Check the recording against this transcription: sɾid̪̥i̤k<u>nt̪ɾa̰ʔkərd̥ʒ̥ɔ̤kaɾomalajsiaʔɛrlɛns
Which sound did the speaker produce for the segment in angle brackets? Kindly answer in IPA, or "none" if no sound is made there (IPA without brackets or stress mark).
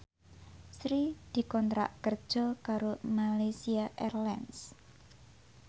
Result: ɔ